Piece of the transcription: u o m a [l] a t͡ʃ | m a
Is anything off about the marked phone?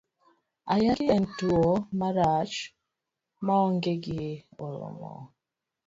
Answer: yes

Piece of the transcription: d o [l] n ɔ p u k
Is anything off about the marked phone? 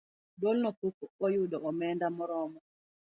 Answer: no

